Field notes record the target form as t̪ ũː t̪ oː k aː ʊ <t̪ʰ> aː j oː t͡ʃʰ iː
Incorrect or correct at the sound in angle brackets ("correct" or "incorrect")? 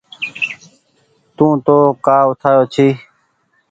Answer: correct